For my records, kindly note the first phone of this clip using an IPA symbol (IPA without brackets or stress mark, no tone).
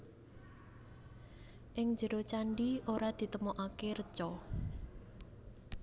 ʔ